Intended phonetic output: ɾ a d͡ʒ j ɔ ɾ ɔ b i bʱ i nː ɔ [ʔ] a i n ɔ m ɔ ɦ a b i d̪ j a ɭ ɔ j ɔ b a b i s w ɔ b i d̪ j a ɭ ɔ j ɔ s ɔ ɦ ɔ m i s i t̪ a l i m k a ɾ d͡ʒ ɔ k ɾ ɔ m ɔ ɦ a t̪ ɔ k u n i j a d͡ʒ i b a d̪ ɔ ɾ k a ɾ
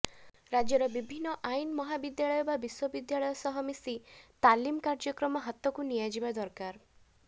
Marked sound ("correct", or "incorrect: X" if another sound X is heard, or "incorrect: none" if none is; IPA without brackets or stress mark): correct